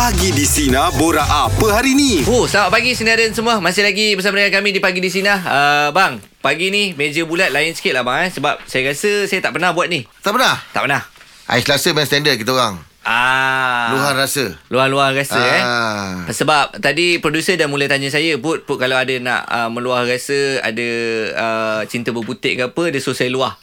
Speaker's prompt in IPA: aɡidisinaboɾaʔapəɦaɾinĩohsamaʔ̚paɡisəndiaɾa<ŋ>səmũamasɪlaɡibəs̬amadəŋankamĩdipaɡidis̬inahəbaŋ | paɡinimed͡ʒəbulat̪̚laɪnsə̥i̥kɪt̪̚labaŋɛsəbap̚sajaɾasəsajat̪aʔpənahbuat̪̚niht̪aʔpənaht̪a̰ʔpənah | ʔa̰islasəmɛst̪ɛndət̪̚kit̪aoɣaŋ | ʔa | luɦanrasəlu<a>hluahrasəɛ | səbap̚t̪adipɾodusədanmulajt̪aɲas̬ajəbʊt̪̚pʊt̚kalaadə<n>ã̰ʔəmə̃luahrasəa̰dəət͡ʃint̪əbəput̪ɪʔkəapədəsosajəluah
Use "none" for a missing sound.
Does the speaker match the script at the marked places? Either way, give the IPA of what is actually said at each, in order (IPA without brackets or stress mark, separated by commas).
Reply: n, a, n